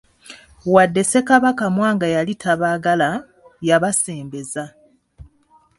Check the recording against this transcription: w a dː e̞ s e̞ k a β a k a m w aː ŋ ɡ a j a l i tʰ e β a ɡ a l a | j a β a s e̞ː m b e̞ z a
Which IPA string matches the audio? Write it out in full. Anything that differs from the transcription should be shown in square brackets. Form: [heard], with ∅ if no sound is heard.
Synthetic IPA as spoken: w a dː e̞ s e̞ k a β a k a m w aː ŋ ɡ a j a l i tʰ [a] β a ɡ a l a | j a β a s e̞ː m b e̞ z a